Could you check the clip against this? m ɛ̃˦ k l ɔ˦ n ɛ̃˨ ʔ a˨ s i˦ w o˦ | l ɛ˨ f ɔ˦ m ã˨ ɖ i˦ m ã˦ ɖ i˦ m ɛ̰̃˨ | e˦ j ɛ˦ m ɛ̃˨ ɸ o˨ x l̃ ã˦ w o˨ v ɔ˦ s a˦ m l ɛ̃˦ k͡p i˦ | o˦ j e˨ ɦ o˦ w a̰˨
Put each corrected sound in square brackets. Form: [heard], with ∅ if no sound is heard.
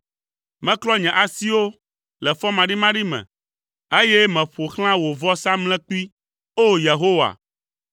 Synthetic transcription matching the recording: m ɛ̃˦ k l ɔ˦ [ɲ] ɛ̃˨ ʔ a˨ s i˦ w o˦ | l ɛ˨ f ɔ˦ m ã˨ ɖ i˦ m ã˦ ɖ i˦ m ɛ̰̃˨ | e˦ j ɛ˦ m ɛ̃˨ ɸ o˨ x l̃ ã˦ w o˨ v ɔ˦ s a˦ m l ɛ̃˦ k͡p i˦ | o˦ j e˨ ɦ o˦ w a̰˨